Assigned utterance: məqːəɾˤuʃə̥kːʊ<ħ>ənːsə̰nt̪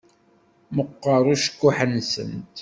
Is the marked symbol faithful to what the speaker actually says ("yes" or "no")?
yes